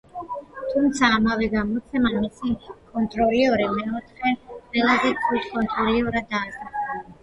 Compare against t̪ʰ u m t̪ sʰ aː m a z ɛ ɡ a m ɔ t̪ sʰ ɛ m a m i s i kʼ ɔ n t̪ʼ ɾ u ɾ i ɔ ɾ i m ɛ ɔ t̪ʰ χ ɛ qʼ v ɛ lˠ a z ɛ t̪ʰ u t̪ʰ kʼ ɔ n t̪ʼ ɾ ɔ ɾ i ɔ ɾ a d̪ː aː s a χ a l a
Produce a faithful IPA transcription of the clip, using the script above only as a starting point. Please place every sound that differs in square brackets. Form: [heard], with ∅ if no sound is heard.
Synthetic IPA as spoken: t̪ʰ u m t̪ sʰ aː m a [v] ɛ ɡ a m ɔ t̪ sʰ ɛ m a m i s i kʼ ɔ n t̪ʼ ɾ [ɔ] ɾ i ɔ ɾ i m ɛ ɔ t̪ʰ χ ɛ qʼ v ɛ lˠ a z ɛ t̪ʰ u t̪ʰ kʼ ɔ n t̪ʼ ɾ ɔ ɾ i ɔ ɾ a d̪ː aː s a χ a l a

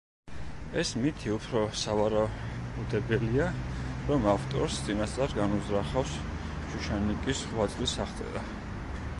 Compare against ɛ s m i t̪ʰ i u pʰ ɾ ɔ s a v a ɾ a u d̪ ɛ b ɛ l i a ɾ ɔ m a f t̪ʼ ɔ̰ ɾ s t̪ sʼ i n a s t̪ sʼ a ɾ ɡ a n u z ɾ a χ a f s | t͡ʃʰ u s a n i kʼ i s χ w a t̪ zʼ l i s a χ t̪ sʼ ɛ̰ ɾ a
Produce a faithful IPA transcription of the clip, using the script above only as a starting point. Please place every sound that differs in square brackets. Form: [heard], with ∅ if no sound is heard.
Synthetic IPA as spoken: ɛ s m i t̪ʰ i u pʰ ɾ ɔ s a v a ɾ a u d̪ ɛ b ɛ l i a ɾ ɔ m a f t̪ʼ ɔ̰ ɾ s t̪ sʼ i n a s t̪ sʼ a ɾ ɡ a n u z ɾ a χ a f s | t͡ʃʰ u [ʃ] a n i kʼ i s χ w a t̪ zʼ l i s a χ t̪ sʼ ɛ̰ ɾ a

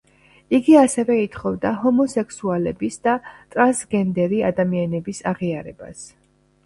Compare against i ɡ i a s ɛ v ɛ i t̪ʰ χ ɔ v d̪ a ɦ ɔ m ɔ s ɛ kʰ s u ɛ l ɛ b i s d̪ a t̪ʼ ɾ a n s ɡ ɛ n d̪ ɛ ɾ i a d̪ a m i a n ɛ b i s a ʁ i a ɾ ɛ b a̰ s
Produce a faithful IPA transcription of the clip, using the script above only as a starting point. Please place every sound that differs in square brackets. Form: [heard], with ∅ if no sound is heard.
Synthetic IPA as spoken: i ɡ i a s ɛ v ɛ i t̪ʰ χ ɔ v d̪ a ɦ ɔ m ɔ s ɛ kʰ s u [a] l ɛ b i s d̪ a t̪ʼ ɾ a n s ɡ ɛ n d̪ ɛ ɾ i a d̪ a m i a n ɛ b i s a ʁ i a ɾ ɛ b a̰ s

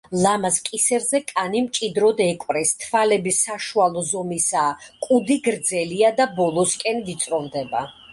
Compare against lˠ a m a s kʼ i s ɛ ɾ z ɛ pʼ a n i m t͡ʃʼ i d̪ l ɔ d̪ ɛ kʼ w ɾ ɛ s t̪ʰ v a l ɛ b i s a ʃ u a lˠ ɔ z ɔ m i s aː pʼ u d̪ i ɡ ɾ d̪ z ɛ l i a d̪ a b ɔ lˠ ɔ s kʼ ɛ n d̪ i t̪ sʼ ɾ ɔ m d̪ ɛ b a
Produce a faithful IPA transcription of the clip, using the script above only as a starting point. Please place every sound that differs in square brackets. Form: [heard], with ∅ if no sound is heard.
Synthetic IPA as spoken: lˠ a m a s kʼ i s ɛ ɾ z ɛ [kʼ] a n i m t͡ʃʼ i d̪ [ɾ] ɔ d̪ ɛ kʼ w ɾ ɛ s t̪ʰ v a l ɛ b i s a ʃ u a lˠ ɔ z ɔ m i s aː [kʼ] u d̪ i ɡ ɾ d̪ z ɛ l i a d̪ a b ɔ lˠ ɔ s kʼ ɛ n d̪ i t̪ sʼ ɾ ɔ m d̪ ɛ b a

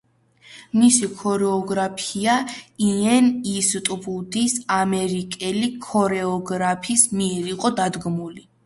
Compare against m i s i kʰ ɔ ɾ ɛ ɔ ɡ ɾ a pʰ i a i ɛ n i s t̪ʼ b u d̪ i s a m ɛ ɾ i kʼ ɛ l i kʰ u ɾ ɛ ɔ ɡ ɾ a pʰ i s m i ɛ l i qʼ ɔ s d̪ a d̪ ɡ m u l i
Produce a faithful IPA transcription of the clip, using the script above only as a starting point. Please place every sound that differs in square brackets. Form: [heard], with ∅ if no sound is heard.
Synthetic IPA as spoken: m i s i kʰ ɔ ɾ ɛ ɔ ɡ ɾ a pʰ i a i ɛ n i s t̪ʼ b u d̪ i s a m ɛ ɾ i kʼ ɛ l i kʰ [ɔ] ɾ ɛ ɔ ɡ ɾ a pʰ i s m i ɛ [ɾ] i qʼ ɔ [∅] d̪ a d̪ ɡ m u l i

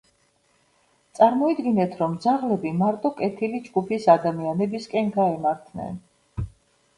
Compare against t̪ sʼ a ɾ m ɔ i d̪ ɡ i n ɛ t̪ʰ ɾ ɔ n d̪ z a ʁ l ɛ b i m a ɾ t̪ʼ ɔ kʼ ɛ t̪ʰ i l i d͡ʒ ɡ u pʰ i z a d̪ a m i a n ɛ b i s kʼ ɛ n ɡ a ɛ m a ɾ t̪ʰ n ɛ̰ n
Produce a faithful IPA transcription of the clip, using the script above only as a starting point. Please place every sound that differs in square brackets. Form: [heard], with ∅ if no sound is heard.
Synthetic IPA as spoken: t̪ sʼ a ɾ m ɔ i d̪ ɡ i n ɛ t̪ʰ ɾ ɔ [m] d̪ z a ʁ l ɛ b i m a ɾ t̪ʼ ɔ kʼ ɛ t̪ʰ i l i d͡ʒ ɡ u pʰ i [s] a d̪ a m i a n ɛ b i s kʼ ɛ n ɡ a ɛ m a ɾ t̪ʰ n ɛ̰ n

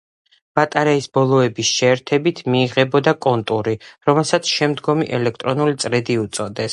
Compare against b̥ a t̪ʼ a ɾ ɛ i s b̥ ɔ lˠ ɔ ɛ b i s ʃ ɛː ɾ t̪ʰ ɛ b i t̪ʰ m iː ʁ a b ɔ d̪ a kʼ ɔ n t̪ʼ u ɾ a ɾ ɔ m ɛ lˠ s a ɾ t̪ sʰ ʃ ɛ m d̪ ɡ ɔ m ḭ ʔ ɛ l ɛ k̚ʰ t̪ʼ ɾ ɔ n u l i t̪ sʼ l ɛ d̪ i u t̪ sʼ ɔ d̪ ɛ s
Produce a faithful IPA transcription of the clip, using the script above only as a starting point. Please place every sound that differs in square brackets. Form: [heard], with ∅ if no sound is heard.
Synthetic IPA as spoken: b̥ a t̪ʼ a ɾ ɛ i s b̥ ɔ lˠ ɔ ɛ b i s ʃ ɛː ɾ t̪ʰ ɛ b i t̪ʰ m iː ʁ [ɛ] b ɔ d̪ a kʼ ɔ n t̪ʼ u ɾ [i] ɾ ɔ m ɛ lˠ s a [∅] t̪ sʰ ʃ ɛ m d̪ ɡ ɔ m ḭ ʔ ɛ l ɛ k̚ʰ t̪ʼ ɾ ɔ n u l i t̪ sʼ [ɾ] ɛ d̪ i u t̪ sʼ ɔ d̪ ɛ s

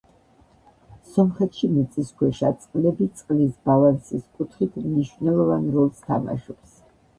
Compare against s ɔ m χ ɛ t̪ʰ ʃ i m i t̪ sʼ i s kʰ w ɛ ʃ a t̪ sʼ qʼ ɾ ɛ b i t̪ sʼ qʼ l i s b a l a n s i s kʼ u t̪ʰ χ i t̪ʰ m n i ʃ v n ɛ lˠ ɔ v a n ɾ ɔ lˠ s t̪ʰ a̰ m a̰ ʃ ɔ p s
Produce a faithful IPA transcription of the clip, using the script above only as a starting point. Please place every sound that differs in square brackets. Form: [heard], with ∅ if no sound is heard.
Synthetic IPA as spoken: s ɔ m χ ɛ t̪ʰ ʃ i m i t̪ sʼ i s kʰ w ɛ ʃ a t̪ sʼ qʼ [l] ɛ b i t̪ sʼ qʼ l i s b a l a n s i s kʼ u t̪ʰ χ i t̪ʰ m n i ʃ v n ɛ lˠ ɔ v a n ɾ ɔ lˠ s t̪ʰ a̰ m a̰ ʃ ɔ p s

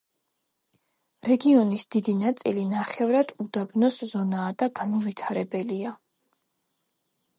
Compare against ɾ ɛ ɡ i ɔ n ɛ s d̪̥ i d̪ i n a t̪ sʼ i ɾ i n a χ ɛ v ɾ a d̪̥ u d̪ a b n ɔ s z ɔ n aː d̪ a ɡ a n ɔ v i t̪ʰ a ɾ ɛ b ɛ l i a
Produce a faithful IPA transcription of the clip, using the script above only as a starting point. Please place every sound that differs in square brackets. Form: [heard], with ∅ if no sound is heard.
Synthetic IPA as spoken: ɾ ɛ ɡ i ɔ n [i] s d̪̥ i d̪ i n a t̪ sʼ i [l] i n a χ ɛ v ɾ a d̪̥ u d̪ a b n ɔ s z ɔ n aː d̪ a ɡ a n ɔ v i t̪ʰ a ɾ ɛ b ɛ l i a

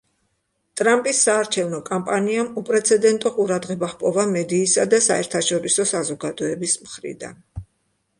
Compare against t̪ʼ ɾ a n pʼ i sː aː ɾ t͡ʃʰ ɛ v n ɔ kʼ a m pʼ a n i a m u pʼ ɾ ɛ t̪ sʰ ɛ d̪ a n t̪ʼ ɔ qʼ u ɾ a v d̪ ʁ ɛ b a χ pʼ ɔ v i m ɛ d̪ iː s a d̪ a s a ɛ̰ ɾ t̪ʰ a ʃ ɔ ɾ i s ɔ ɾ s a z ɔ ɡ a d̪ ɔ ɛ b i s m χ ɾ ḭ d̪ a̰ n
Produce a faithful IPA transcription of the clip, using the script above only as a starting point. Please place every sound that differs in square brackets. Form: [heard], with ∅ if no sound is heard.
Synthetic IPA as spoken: t̪ʼ ɾ a [m] pʼ i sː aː ɾ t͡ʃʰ ɛ v n ɔ kʼ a m pʼ a n i a m u pʼ ɾ ɛ t̪ sʰ ɛ d̪ [ɛ] n t̪ʼ ɔ qʼ u ɾ a [∅] d̪ ʁ ɛ b a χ pʼ ɔ v [a] m ɛ d̪ iː s a d̪ a s a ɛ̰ ɾ t̪ʰ a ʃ ɔ ɾ i s ɔ [∅] s a z ɔ ɡ a d̪ ɔ ɛ b i s m χ ɾ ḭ d̪ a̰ n

